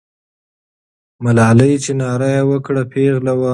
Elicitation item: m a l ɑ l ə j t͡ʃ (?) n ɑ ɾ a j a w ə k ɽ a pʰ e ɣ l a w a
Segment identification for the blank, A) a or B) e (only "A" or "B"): B